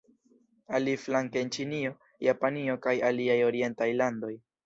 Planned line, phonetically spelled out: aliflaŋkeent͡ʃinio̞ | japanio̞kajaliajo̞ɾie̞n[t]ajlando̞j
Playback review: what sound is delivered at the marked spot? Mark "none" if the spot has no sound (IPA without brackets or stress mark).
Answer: t